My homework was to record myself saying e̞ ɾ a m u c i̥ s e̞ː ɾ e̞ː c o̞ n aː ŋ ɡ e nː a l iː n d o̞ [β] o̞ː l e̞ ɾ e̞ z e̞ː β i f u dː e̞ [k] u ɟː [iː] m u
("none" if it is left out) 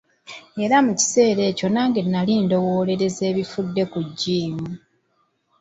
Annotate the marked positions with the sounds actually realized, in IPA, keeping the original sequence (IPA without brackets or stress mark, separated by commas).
w, k, iː